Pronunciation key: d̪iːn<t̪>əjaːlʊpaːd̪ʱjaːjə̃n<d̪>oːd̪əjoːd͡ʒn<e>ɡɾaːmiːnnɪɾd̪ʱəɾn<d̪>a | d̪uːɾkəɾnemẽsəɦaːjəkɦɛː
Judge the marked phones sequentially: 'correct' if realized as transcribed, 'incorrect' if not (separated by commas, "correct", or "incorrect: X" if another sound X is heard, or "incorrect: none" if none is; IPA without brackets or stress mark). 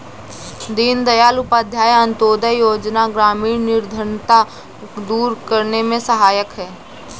incorrect: d̪, incorrect: t̪, incorrect: a, incorrect: t̪